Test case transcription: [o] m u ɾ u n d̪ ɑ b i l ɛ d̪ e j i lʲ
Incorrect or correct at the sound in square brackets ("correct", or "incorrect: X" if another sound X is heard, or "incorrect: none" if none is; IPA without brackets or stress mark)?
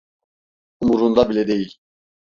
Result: incorrect: u